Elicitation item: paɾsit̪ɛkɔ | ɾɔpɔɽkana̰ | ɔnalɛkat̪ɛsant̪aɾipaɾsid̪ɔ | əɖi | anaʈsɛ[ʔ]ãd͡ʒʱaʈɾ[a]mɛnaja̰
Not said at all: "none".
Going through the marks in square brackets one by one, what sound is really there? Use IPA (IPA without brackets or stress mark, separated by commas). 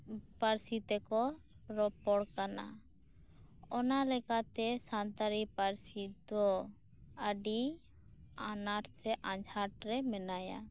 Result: ʔ, ɛ